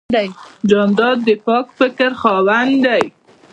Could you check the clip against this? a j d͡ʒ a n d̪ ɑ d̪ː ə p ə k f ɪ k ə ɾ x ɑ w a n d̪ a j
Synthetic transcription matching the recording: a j d͡ʒ ɑ n d̪ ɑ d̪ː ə p ɑ k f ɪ k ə ɾ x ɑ w a n d̪ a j